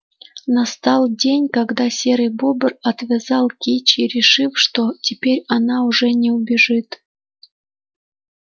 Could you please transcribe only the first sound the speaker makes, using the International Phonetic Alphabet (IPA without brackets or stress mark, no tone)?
n